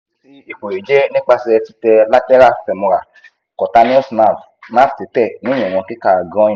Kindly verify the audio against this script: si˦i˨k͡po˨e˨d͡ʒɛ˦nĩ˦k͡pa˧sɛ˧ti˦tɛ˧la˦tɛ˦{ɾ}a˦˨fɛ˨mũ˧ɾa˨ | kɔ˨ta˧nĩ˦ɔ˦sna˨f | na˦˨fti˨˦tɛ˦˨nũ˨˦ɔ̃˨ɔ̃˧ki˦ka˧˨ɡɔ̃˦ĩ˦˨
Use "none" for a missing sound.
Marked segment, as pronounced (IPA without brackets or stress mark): ɾ